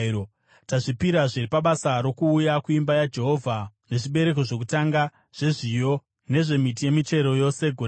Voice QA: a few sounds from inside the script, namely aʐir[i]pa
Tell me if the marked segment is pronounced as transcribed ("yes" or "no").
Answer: yes